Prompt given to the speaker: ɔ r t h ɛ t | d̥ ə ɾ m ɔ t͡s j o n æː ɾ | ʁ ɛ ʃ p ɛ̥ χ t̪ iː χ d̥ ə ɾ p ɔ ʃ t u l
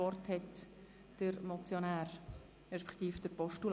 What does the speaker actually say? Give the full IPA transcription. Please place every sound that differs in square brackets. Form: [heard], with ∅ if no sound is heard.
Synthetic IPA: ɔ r t h ɛ t | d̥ ə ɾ m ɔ t͡s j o n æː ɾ | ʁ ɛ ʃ p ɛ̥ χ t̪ iː [f] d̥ ə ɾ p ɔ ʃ t u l